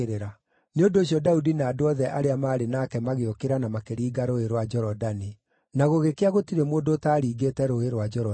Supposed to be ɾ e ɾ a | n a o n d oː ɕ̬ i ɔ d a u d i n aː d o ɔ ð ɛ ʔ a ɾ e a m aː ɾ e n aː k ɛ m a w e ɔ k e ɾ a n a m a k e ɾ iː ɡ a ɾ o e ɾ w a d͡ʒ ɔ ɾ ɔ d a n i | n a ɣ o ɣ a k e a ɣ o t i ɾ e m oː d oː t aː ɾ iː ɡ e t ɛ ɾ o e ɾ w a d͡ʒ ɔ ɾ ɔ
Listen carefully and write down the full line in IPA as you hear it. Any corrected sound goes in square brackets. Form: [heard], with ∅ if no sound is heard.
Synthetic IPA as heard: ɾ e ɾ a | n [e] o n d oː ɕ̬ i ɔ d a u d i n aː d o ɔ ð ɛ ʔ a ɾ e a m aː ɾ e n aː k ɛ m a [ɣ] e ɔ k e ɾ a n a m a k e ɾ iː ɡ a ɾ o e ɾ w a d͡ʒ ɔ ɾ ɔ d a n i | n a ɣ o ɣ [e] k e a ɣ o t i ɾ e m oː d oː t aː ɾ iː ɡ e t ɛ ɾ o e ɾ w a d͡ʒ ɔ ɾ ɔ